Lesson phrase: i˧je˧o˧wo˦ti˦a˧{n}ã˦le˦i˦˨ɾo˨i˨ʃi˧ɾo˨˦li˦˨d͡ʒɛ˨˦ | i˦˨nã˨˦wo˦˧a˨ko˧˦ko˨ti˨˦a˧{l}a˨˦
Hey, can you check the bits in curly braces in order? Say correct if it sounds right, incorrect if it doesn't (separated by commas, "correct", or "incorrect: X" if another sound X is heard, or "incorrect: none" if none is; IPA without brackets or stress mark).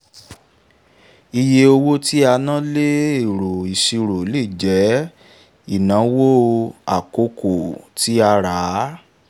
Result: correct, incorrect: ɾ